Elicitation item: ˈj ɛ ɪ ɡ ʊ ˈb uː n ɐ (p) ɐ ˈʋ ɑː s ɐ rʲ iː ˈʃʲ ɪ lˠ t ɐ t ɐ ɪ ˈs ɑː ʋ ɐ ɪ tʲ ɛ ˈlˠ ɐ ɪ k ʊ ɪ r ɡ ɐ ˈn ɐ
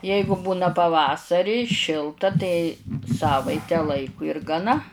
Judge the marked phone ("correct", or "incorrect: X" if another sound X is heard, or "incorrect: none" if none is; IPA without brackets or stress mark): correct